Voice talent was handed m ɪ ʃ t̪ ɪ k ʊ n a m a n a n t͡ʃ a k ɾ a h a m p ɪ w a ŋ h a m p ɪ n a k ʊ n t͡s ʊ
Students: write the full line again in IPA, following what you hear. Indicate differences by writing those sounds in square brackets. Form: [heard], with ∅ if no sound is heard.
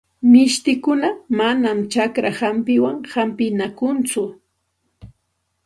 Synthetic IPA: m ɪ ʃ t̪ ɪ k ʊ n a m a n a [m] t͡ʃ a k ɾ a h a m p ɪ w a ŋ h a m p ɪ n a k ʊ n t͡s ʊ